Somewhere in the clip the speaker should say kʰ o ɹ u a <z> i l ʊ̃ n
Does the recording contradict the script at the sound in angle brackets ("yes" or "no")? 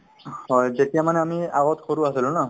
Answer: yes